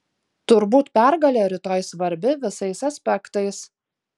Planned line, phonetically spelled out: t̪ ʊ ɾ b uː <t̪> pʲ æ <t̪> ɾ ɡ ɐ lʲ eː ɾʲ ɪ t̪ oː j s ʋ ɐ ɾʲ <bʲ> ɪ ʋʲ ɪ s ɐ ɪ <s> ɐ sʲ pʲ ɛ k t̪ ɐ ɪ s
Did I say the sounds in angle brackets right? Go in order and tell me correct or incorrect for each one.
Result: correct, incorrect, correct, correct

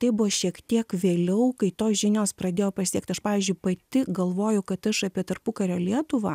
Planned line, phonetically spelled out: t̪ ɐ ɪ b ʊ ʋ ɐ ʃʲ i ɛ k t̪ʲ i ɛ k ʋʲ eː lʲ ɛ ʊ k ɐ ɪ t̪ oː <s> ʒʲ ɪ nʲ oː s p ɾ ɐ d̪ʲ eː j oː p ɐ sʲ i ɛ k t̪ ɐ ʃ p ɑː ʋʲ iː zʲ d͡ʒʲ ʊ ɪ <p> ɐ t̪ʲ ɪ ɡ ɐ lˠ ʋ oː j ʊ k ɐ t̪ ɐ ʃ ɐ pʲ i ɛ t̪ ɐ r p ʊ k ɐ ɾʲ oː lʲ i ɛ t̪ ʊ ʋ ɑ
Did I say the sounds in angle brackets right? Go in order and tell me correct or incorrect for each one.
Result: correct, correct

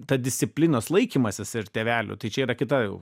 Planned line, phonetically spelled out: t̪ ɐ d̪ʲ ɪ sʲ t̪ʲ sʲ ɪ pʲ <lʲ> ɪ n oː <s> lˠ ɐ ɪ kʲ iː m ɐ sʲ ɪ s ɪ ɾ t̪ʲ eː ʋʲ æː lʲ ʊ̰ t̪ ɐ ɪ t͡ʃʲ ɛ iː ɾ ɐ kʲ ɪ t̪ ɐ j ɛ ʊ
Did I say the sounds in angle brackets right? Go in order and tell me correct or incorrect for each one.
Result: correct, correct

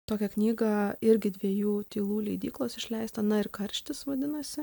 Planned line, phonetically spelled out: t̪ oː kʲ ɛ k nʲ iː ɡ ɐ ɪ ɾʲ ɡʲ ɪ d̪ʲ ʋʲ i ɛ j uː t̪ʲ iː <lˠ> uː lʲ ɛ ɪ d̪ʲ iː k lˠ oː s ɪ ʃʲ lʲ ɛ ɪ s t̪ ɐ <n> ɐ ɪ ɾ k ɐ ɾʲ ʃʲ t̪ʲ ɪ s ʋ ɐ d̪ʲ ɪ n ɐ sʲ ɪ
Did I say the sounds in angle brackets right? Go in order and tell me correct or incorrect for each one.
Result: correct, correct

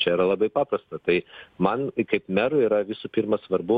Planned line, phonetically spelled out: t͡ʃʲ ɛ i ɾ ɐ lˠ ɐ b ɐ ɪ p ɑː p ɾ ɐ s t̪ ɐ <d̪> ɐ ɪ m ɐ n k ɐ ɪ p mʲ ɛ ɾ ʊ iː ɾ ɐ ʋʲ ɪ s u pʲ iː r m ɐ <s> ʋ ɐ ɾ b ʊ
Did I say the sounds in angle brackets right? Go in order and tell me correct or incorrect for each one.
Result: incorrect, correct

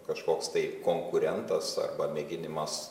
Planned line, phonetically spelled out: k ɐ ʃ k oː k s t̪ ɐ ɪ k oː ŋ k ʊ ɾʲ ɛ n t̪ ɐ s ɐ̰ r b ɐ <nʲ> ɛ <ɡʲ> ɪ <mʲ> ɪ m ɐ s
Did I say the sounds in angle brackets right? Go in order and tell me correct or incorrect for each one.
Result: incorrect, correct, incorrect

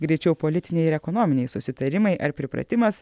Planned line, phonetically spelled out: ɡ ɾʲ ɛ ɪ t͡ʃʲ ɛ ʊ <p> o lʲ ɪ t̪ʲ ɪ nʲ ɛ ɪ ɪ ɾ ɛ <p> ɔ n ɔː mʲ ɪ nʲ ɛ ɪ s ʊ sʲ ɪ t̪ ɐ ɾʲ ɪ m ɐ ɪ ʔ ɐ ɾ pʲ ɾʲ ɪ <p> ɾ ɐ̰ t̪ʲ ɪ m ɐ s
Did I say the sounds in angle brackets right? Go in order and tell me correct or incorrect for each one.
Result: correct, incorrect, correct

